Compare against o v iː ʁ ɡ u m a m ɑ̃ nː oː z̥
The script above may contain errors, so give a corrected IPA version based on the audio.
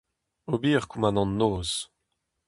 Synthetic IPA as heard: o b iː ʁ k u m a n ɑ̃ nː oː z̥